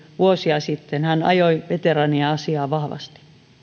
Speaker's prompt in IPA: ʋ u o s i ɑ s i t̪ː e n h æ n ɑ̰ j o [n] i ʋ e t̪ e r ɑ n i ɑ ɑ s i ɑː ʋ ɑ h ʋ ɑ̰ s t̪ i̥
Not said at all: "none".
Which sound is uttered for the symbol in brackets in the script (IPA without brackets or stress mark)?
none